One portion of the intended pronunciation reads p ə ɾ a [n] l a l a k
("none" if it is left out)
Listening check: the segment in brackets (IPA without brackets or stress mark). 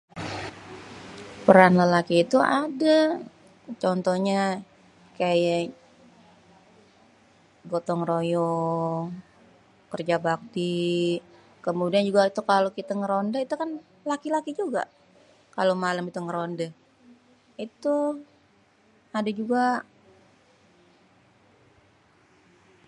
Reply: n